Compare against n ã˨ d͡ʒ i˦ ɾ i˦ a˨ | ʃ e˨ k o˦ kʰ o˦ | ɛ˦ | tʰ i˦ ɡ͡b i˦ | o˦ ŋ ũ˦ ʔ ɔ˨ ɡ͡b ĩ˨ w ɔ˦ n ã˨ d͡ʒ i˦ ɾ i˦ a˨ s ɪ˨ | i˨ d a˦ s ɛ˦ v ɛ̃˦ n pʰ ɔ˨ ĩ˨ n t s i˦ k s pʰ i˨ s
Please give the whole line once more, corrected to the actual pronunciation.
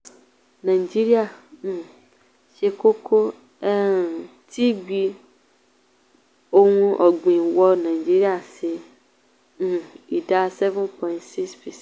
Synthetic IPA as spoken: n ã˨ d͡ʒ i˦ ɾ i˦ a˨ | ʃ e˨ k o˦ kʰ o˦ | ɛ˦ | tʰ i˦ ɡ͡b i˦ | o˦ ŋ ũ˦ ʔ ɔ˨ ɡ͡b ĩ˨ w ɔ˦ n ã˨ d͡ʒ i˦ ɾ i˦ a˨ s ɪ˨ | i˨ d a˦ s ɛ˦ v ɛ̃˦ n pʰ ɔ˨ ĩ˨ n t s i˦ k s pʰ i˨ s

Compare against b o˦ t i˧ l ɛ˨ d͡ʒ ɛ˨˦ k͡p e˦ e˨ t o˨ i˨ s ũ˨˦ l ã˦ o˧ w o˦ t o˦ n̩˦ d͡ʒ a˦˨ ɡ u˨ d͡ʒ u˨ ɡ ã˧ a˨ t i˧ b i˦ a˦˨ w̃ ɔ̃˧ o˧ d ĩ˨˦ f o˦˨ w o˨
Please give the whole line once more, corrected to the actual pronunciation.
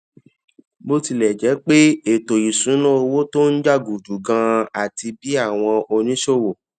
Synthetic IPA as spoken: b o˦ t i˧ l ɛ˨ d͡ʒ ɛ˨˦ k͡p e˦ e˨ t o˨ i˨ s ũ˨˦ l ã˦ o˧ w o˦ t o˦ n̩˦ d͡ʒ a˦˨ ɡ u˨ d͡ʒ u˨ ɡ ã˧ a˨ t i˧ b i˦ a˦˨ w̃ ɔ̃˧ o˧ n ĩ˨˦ ʃ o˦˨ w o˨

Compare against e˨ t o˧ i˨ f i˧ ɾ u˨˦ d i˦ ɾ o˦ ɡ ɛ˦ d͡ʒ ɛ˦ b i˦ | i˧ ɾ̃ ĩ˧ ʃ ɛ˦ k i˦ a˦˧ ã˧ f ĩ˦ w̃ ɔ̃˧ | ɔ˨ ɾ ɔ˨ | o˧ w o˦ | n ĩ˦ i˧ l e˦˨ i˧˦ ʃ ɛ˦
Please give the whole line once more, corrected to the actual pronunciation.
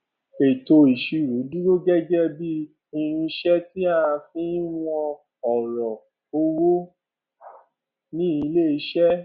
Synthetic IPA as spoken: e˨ t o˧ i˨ ʃ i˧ ɾ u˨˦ d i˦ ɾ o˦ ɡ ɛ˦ d͡ʒ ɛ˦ b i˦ | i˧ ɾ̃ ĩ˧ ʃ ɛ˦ t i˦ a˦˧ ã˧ f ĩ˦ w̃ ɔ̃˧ | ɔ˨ ɾ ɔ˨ | o˧ w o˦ | n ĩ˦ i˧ l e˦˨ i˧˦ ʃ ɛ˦

